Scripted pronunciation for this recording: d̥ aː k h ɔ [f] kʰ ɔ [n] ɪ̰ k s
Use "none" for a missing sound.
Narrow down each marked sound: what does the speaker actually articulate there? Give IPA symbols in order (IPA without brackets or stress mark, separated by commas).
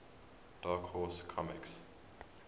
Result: s, m